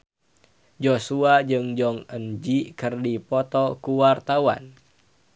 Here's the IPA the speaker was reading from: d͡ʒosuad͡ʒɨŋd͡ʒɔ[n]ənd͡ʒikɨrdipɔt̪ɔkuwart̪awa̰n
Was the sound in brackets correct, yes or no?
no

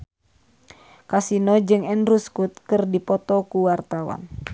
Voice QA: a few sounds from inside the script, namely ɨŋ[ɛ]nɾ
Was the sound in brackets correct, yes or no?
yes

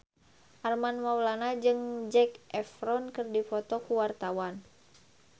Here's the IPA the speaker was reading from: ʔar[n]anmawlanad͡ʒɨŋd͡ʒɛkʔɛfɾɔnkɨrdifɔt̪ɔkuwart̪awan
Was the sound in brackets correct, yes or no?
no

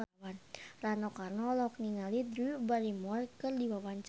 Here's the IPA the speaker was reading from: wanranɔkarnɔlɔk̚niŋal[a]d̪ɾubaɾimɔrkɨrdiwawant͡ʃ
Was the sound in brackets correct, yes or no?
no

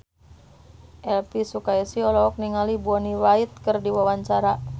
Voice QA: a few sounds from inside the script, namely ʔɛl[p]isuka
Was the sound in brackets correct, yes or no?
yes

